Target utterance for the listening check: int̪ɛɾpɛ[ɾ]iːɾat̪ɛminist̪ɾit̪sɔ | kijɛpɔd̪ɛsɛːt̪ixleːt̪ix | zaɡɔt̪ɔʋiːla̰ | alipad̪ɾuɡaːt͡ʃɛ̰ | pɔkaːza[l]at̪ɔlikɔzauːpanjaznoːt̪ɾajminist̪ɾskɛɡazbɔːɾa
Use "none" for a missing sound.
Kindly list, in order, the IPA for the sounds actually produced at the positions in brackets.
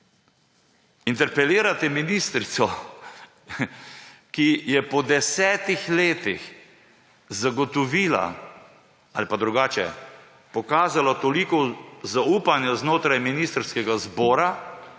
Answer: l, l

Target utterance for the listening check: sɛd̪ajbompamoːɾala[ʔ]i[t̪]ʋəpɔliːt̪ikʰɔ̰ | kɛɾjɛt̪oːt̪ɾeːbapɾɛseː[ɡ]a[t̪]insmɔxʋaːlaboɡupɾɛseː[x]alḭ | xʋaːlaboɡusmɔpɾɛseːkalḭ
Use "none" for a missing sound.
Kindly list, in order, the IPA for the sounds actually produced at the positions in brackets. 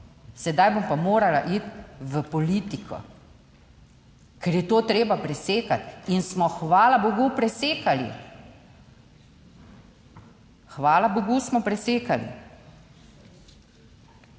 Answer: ʔ, t̪, k, t̪, k

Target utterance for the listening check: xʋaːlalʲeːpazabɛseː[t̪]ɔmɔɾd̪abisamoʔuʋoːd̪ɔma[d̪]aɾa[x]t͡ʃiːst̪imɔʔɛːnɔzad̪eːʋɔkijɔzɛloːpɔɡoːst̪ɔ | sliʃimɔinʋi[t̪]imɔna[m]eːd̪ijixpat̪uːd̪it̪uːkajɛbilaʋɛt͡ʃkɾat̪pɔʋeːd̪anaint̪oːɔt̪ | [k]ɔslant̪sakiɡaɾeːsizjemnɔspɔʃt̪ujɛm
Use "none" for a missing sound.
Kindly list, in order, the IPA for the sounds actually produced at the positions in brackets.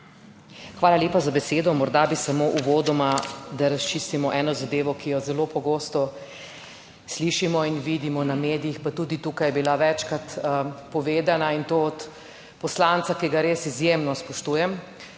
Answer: d̪, d̪, s, d̪, m, p

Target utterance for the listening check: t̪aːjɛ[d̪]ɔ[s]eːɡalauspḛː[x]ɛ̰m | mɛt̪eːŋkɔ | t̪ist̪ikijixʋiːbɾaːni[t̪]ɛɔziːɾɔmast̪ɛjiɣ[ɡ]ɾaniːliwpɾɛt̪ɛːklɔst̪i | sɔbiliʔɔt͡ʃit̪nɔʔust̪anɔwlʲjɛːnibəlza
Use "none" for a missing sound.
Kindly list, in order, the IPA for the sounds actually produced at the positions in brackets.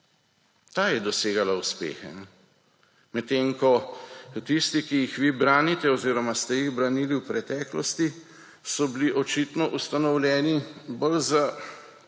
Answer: d̪, s, x, t̪, b

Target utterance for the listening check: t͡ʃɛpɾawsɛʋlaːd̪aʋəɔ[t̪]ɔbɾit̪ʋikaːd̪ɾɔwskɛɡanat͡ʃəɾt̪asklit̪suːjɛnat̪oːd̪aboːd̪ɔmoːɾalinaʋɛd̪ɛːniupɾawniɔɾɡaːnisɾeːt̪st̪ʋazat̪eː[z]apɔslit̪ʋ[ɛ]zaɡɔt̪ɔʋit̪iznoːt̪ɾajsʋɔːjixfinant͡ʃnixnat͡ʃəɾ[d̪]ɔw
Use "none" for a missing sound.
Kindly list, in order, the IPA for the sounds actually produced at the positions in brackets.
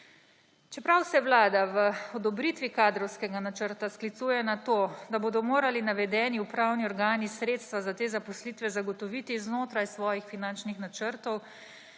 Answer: d̪, z, ɛ, t̪

